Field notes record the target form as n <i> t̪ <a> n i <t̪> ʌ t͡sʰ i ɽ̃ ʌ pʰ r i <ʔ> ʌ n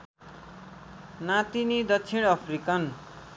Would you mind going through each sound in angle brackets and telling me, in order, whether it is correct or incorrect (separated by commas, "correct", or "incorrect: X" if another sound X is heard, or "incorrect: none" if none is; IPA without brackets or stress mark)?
incorrect: a, incorrect: i, incorrect: d̪, incorrect: k